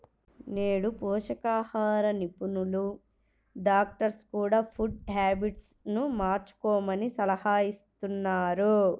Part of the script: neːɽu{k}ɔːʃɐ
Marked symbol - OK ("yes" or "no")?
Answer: no